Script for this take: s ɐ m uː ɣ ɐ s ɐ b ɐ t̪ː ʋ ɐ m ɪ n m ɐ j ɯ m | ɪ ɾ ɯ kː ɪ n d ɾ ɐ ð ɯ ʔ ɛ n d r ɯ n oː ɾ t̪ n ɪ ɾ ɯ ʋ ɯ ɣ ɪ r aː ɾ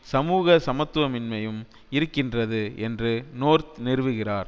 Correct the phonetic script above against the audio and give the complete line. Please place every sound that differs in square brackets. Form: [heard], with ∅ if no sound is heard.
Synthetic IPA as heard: s ɐ m uː ɣ ɐ s ɐ [m] ɐ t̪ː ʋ ɐ m ɪ n m ɐ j ɯ m | ɪ ɾ ɯ kː ɪ n d [r] ɐ ð ɯ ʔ ɛ n d r ɯ n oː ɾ t̪ n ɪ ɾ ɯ ʋ ɯ ɣ ɪ r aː ɾ